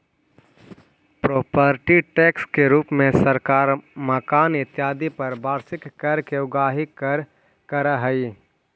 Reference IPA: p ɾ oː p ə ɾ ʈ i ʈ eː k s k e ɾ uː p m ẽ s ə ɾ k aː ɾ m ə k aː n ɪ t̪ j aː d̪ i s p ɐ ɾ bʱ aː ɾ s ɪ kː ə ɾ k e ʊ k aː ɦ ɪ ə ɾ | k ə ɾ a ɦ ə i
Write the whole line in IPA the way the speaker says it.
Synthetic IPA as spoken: p ɾ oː p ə ɾ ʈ i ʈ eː k s k e ɾ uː p m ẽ s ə ɾ k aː ɾ m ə k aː n ɪ t̪ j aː d̪ i p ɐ ɾ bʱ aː ɾ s ɪ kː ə ɾ k e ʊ ɡ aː ɦ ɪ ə ɾ | k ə ɾ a ɦ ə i